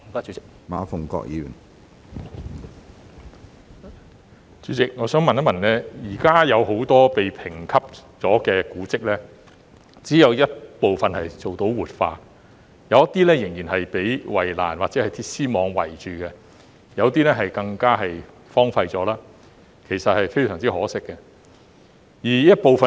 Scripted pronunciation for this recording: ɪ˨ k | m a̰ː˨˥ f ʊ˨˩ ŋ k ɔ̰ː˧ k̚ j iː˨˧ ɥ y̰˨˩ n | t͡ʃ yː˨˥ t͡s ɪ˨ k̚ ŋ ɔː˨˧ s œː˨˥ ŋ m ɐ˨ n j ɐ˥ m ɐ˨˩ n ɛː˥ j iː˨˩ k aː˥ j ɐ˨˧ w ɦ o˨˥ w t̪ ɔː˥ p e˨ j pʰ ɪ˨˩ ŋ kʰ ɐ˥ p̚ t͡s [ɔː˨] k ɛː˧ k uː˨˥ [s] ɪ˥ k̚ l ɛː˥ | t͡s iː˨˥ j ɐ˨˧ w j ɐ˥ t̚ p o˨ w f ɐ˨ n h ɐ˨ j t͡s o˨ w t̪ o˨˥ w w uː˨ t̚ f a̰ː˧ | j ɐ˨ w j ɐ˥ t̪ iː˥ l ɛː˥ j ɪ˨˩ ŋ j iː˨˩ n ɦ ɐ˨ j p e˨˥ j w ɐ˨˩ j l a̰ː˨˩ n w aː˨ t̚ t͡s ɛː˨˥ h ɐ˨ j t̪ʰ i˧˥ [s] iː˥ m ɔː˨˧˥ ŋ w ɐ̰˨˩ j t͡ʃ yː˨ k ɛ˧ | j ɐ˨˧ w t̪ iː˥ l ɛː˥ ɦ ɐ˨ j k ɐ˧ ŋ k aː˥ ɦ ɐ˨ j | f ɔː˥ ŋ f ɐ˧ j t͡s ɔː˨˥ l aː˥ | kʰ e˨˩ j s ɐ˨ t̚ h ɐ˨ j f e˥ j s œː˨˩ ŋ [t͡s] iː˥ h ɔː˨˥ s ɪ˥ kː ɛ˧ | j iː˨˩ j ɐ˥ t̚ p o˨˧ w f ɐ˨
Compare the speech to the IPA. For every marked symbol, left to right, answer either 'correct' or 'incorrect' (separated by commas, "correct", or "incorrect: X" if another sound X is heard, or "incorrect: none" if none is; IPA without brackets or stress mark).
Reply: incorrect: ɔː˨˥, incorrect: t͡s, correct, correct